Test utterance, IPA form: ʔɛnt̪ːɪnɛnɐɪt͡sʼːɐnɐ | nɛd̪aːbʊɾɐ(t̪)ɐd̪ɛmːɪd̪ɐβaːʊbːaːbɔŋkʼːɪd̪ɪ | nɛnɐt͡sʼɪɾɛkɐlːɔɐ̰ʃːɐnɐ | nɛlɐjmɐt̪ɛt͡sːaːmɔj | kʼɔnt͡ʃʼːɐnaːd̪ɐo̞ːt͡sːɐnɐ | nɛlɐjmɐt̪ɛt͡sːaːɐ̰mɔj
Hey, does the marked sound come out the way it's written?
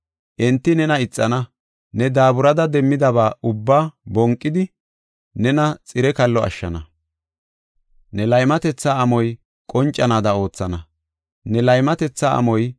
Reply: no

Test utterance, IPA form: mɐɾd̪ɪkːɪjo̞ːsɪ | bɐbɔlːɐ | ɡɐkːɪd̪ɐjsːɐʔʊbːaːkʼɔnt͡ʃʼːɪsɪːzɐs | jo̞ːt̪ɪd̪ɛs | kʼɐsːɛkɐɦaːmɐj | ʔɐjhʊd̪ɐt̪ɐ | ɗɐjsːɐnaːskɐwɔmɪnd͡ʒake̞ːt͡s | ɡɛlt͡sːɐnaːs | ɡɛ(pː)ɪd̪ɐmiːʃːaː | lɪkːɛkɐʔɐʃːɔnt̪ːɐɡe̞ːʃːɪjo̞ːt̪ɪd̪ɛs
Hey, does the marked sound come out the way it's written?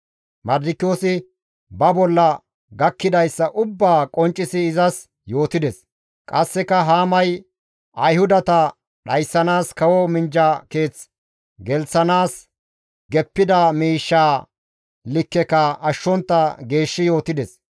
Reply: yes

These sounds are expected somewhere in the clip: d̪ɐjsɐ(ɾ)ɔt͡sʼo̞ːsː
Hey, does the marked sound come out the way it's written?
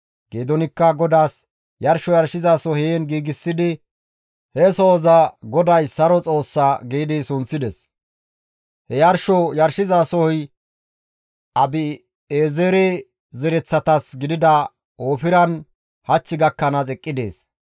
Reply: yes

